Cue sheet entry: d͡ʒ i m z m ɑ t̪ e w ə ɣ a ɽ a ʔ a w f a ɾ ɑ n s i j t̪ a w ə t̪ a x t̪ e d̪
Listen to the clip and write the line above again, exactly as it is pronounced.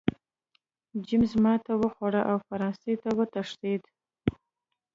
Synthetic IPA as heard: d͡ʒ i m z m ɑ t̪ a w ə x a ɽ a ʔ a w f a ɾ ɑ n s e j t̪ a w ə t̪ a ʂ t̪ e d̪